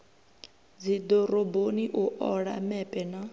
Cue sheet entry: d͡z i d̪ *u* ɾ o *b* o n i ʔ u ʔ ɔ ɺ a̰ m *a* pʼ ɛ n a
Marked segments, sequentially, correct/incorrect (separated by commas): incorrect, correct, incorrect